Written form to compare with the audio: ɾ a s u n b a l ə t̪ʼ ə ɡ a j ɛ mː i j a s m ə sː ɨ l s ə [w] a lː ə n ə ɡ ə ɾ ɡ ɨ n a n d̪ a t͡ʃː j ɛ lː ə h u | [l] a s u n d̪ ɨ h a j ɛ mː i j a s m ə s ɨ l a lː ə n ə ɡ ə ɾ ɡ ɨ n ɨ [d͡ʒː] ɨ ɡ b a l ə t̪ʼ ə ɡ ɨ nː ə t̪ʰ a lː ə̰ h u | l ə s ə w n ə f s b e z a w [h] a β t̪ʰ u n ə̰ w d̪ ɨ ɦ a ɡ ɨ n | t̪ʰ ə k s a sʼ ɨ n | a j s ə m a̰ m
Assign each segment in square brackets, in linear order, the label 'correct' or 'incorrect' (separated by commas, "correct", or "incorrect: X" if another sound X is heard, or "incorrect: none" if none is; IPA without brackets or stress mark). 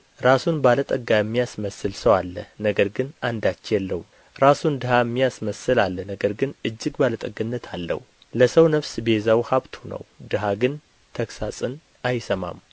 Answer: correct, incorrect: ɾ, correct, correct